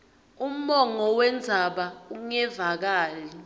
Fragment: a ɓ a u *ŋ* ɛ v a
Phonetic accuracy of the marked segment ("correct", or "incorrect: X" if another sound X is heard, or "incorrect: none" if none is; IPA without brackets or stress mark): correct